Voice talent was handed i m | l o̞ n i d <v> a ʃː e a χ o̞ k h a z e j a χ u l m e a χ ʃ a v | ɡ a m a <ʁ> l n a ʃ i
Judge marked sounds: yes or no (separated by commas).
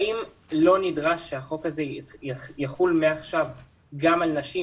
no, no